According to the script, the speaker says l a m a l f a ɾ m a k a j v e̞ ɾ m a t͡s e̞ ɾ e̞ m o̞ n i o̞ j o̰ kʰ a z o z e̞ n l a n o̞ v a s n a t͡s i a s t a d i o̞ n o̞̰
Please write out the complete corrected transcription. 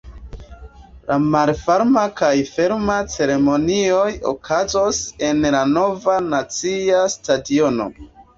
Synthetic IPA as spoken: l a m a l f a ɾ m a k a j f e̞ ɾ m a t͡s e̞ ɾ e̞ m o̞ n i o̞ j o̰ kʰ a z o s e̞ n l a n o̞ v a n a t͡s i a s t a d i o̞ n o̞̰